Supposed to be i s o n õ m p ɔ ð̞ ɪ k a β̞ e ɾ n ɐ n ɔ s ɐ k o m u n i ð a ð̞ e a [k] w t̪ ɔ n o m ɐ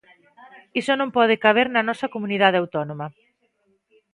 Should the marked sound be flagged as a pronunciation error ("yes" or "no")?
yes